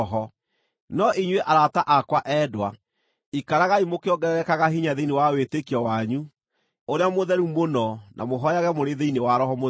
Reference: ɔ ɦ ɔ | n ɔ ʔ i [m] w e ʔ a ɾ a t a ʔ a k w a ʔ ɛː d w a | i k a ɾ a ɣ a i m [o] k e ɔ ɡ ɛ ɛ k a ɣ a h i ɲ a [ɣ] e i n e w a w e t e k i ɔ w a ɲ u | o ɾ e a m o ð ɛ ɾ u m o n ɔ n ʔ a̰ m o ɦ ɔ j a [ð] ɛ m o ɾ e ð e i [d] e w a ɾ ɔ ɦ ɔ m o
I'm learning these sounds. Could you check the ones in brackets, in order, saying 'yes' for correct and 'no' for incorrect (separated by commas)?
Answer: no, yes, no, no, no